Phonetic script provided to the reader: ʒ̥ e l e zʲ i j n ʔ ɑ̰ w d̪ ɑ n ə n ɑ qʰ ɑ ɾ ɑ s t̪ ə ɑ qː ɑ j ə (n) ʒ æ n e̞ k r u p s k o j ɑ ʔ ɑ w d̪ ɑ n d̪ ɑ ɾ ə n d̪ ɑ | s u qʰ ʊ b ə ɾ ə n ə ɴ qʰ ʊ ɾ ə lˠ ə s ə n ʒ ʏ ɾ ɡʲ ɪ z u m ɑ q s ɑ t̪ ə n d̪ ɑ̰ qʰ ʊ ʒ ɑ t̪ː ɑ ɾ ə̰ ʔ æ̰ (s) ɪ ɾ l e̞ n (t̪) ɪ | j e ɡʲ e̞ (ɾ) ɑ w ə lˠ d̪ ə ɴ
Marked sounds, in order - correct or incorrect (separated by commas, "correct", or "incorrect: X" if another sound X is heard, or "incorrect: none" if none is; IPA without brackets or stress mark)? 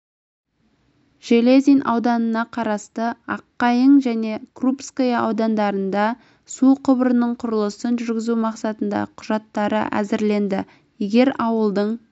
incorrect: ɴ, incorrect: z, incorrect: d̪, correct